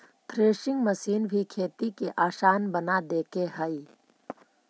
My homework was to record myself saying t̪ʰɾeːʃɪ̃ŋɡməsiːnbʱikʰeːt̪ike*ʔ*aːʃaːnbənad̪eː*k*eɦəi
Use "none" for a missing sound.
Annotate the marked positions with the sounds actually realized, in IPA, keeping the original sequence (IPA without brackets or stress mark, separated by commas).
ʔ, k